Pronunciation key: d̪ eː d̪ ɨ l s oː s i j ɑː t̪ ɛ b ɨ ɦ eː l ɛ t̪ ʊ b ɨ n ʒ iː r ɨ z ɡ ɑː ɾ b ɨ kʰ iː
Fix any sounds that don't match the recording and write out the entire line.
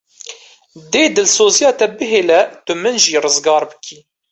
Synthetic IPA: d̪ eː d̪ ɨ l s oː z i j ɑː t̪ ɛ b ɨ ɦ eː l ɛ t̪ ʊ m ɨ n ʒ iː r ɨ z ɡ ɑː ɾ b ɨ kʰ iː